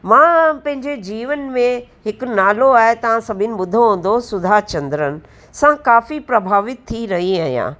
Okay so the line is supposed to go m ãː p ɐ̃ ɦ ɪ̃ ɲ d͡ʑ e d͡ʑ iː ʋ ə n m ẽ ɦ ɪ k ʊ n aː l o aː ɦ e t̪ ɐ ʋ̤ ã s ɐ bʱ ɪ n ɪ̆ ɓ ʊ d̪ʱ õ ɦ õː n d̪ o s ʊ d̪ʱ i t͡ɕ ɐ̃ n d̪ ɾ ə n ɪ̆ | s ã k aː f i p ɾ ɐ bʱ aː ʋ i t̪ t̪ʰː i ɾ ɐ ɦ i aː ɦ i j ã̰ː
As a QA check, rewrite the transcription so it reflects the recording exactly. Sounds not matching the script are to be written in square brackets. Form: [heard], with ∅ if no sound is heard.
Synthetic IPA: m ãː p ɐ̃ ɦ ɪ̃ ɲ d͡ʑ e d͡ʑ iː ʋ ə n m ẽ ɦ ɪ k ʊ n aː l o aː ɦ e t̪ ɐ ʋ̤ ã s ɐ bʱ ɪ n ɪ̆ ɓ ʊ d̪ʱ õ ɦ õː n d̪ o s ʊ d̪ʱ [a] t͡ɕ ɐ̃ n d̪ ɾ ə n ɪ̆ | s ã k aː f i p ɾ ɐ bʱ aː ʋ [ɪ] t̪ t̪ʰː i ɾ ɐ ɦ i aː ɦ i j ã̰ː